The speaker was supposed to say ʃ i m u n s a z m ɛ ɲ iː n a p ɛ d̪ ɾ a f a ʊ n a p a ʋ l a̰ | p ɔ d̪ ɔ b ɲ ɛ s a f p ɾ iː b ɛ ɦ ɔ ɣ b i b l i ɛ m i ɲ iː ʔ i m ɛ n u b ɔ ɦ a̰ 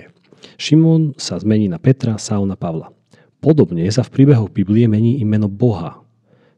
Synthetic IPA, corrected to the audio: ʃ i m ɔ n s a z m ɛ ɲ iː n a p ɛ t̪ ɾ a s a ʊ n a p a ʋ l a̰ | p ɔ d̪ ɔ b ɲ ɛ s a f p ɾ iː b ɛ ɦ ɔ ɣ b i b l i ɛ m ɛ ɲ iː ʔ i m ɛ n ɔ b ɔ ɦ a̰